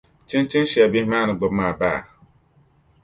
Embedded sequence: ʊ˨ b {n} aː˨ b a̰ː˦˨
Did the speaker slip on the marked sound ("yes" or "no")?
yes